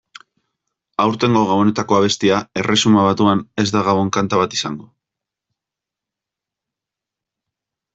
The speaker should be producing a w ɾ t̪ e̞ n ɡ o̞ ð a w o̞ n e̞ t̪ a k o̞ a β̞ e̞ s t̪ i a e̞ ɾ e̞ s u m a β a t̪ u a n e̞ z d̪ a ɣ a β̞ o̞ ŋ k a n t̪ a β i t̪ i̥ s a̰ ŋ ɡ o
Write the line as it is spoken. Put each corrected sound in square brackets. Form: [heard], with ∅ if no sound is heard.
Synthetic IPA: a w ɾ t̪ e̞ [ŋ] ɡ o̞ [ɣ] a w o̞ n e̞ t̪ a k o̞ a β̞ e̞ s t̪ i a e̞ [r] e̞ s u m a β a t̪ u a n e̞ z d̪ a ɣ a β̞ o̞ ŋ k a n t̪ a β [a] t̪ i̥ s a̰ ŋ ɡ o